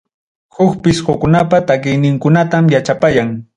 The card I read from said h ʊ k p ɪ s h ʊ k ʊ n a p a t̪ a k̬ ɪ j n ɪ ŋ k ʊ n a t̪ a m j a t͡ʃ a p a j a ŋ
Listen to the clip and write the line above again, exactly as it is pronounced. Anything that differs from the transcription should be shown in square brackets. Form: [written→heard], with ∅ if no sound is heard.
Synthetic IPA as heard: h ʊ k p ɪ s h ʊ k ʊ n a p a t̪ a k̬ ɪ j n ɪ ŋ k ʊ n a t̪ a m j a t͡ʃ a p a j a ŋ